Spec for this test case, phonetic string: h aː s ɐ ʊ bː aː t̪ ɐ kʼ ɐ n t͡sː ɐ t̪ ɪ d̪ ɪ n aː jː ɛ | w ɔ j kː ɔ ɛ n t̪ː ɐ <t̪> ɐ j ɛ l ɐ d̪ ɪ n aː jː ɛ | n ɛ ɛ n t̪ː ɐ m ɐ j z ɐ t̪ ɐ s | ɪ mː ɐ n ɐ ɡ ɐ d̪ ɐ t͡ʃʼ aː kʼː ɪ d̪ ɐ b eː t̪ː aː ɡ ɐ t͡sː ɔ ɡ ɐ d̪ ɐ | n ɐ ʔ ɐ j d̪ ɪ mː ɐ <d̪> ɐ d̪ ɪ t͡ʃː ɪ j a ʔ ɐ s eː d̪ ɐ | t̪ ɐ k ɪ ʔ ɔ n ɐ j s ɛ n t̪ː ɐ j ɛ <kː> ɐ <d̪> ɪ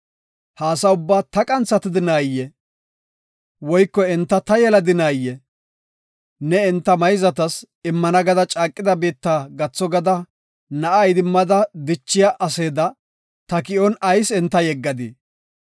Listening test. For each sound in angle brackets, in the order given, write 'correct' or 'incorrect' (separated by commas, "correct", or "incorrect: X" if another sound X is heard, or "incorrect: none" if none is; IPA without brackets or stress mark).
correct, correct, incorrect: ɡː, correct